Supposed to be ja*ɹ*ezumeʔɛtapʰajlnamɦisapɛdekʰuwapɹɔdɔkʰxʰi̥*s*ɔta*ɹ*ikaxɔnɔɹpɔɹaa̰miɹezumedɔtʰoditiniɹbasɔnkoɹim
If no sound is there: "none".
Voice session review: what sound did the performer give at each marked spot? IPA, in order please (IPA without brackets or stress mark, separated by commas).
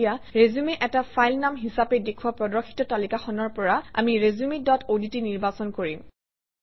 ɹ, t, l